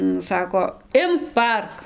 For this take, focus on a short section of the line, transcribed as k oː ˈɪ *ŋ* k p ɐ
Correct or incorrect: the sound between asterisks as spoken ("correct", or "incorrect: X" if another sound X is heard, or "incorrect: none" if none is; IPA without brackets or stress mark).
incorrect: m